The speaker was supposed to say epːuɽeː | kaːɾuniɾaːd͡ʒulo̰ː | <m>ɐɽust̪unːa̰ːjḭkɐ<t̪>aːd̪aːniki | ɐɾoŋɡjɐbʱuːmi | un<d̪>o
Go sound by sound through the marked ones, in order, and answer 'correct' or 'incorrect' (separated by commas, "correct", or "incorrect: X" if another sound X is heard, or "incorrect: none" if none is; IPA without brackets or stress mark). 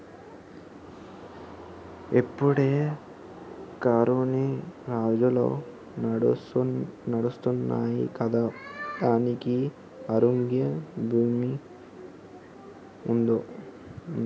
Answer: incorrect: n, incorrect: d̪, correct